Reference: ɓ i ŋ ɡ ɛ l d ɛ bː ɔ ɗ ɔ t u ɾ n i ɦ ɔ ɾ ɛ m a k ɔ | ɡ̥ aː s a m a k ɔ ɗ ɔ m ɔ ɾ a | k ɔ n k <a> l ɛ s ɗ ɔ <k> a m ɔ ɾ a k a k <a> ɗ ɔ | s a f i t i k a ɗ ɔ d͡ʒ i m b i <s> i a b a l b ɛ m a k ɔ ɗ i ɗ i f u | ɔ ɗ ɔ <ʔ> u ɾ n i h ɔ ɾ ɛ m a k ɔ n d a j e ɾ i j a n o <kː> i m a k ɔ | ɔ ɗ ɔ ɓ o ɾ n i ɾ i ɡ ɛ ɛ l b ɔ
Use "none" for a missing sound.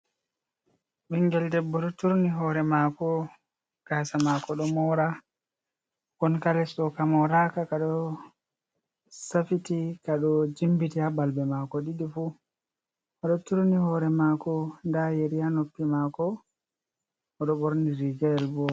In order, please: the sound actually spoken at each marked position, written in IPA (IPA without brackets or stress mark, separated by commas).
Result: a, k, a, t, t, pː